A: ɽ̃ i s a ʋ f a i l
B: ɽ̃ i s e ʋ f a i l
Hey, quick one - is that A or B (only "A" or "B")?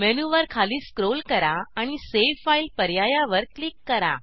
B